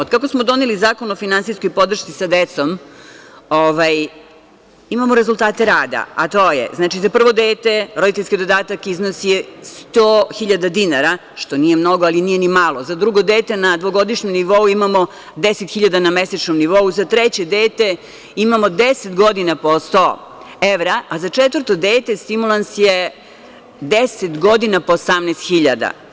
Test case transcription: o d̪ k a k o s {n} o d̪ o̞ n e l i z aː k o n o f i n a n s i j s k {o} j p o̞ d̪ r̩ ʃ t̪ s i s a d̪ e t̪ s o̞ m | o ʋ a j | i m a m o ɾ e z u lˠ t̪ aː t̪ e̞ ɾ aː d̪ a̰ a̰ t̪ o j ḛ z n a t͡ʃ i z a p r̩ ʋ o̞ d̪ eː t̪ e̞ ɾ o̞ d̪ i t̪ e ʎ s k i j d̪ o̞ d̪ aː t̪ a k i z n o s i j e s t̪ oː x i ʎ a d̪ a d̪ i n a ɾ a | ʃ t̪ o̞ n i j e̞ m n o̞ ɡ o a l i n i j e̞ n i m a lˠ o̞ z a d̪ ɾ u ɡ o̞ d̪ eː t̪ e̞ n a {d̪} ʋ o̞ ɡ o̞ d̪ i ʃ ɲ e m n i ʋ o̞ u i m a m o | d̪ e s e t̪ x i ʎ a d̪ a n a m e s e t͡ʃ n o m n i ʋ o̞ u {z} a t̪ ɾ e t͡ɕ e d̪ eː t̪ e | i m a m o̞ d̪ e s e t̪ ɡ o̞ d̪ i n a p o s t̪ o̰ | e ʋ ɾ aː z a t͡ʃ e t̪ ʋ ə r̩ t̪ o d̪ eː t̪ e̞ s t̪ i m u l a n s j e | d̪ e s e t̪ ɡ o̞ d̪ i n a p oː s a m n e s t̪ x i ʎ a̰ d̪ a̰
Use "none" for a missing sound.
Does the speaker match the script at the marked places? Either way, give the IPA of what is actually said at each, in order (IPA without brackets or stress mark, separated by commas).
m, o, d̪, z